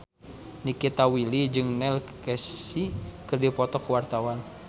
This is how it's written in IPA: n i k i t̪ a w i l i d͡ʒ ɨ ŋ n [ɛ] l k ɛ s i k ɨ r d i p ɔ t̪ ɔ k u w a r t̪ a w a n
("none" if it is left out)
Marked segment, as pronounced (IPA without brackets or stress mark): ɛ